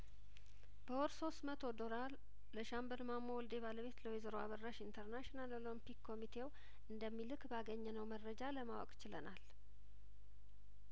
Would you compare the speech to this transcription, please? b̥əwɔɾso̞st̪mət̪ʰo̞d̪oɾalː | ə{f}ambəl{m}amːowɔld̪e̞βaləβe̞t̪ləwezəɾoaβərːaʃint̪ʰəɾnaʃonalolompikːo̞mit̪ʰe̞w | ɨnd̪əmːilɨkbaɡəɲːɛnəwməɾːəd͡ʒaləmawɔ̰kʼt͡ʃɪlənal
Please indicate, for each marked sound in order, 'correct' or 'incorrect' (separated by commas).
incorrect, correct